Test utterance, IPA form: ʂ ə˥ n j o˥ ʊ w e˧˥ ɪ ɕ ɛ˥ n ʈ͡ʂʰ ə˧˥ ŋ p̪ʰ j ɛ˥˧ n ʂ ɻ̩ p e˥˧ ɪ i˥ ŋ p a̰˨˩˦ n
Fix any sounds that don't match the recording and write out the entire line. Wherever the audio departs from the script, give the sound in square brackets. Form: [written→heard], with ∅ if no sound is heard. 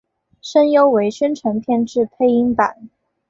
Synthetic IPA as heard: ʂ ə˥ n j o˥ ʊ w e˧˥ ɪ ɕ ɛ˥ n ʈ͡ʂʰ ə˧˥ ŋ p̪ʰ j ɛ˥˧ n [ʂ→ʈ͡ʂ] ɻ̩ [p→pʰ] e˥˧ ɪ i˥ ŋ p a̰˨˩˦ n